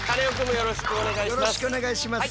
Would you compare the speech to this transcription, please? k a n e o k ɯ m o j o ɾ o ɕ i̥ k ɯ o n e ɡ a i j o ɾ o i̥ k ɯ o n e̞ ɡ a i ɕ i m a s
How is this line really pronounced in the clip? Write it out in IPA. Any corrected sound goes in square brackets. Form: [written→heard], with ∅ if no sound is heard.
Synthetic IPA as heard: k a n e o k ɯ m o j o ɾ o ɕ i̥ k ɯ o n e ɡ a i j o ɾ o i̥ k ɯ o n e̞ ɡ a i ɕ i m a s